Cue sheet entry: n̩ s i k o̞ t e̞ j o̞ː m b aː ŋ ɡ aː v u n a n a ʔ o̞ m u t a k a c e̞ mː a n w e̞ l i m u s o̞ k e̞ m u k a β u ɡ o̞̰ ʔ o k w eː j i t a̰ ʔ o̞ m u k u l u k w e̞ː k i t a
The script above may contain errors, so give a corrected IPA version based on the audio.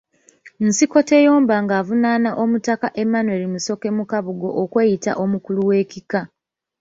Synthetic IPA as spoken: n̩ s i k o̞ t e̞ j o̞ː m b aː ŋ ɡ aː v u n a n a ʔ o̞ m u t a k a ʔ e̞ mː a n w e̞ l i m u s o̞ k e̞ m u k a β u ɡ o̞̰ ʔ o k w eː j i t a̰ ʔ o̞ m u k u l u w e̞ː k i k a